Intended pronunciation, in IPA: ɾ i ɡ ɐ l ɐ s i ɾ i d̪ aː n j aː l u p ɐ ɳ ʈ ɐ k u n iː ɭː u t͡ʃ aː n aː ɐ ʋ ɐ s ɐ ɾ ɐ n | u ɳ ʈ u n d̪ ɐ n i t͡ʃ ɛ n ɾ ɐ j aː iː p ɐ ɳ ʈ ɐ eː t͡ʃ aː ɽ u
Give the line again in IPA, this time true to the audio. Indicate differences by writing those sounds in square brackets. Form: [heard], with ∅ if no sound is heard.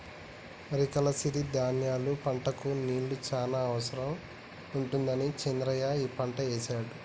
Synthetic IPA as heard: ɾ i [k] ɐ l ɐ s i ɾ i d̪ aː n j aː l u p ɐ ɳ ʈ ɐ k u n iː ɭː u t͡ʃ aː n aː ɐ ʋ ɐ s ɐ ɾ ɐ [m] | u ɳ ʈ u n d̪ ɐ n i t͡ʃ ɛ n ɾ ɐ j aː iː p ɐ ɳ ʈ ɐ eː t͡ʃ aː ɽ u